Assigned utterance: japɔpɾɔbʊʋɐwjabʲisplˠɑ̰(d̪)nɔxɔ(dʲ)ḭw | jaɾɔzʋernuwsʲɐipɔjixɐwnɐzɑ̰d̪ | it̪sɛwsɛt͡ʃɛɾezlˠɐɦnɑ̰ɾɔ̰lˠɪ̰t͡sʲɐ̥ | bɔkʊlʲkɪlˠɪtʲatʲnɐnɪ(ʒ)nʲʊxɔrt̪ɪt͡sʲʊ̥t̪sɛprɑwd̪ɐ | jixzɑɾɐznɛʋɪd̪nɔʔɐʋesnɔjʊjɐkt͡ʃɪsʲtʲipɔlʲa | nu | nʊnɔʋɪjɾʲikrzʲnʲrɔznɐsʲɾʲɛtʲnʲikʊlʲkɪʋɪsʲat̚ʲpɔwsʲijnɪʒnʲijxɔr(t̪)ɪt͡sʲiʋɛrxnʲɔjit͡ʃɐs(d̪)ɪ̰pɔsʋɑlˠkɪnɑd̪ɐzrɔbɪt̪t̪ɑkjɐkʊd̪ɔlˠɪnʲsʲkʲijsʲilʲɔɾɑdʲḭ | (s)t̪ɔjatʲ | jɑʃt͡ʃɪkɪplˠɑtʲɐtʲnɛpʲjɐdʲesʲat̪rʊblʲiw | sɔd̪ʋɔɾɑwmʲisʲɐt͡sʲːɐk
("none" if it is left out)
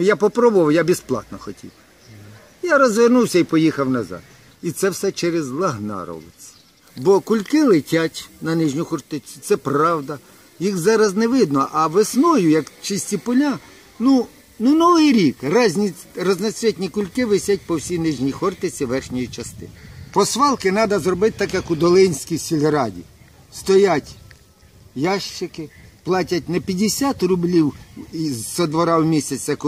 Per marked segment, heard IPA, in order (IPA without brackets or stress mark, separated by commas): t̪, tʲ, ʒ, t̪, t̪, s